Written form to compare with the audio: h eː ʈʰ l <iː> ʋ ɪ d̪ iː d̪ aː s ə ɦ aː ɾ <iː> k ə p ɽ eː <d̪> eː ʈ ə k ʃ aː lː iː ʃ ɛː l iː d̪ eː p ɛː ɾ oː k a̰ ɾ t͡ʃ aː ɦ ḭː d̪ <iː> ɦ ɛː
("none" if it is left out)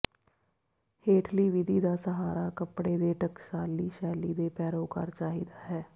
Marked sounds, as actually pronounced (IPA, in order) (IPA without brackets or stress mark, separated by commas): iː, aː, d̪, aː